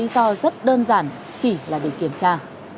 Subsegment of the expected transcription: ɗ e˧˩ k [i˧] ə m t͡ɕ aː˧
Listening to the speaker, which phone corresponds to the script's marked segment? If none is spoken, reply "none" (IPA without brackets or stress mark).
i˧˩